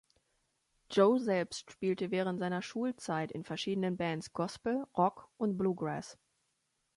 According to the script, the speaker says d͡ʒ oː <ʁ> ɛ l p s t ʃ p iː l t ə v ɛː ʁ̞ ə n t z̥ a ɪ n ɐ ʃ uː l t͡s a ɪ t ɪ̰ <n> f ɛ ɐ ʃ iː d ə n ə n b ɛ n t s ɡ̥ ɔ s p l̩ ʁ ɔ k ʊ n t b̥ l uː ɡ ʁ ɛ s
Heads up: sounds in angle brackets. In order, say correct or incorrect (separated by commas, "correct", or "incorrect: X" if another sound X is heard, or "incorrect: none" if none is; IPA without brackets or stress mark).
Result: incorrect: z, correct